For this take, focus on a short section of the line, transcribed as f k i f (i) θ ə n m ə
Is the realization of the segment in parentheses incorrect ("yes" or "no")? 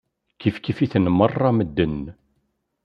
no